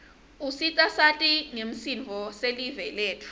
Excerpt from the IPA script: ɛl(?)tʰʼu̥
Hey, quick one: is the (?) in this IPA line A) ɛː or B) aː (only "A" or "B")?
A